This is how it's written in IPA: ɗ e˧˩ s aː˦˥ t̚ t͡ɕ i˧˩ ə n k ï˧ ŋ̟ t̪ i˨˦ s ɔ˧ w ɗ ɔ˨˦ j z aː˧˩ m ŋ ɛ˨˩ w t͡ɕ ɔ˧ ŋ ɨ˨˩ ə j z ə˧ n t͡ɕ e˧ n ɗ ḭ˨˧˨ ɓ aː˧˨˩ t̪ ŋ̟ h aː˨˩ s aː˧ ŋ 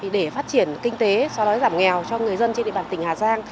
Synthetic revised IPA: ɗ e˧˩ f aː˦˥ t̚ t͡ɕ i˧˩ ə n k ï˧ ŋ̟ t̪ e˨˦ s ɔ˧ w ɗ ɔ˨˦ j z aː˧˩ m ŋ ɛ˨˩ w t͡ɕ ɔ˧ ŋ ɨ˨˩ ə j z ə˧ n t͡ɕ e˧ n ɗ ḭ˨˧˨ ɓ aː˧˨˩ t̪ ŋ̟ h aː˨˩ z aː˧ ŋ